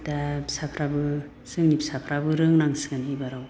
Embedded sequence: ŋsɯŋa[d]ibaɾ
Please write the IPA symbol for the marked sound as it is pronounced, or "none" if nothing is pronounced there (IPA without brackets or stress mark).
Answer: n